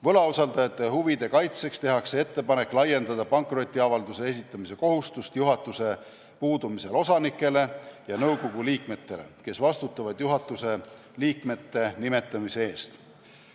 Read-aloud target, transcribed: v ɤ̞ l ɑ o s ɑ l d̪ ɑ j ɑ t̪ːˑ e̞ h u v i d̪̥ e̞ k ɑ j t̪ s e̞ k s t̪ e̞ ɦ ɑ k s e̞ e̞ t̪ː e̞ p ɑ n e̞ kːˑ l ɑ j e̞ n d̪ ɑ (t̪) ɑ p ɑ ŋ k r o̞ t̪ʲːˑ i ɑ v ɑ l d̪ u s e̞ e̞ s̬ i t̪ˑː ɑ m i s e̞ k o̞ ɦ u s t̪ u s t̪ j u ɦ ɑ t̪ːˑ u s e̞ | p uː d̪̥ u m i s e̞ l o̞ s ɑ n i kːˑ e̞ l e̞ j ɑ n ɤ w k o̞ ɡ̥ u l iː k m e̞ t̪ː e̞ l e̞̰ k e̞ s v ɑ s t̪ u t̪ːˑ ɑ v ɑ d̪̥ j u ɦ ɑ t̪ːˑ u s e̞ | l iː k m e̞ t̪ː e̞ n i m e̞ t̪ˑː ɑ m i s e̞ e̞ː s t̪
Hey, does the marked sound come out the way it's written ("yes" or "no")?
no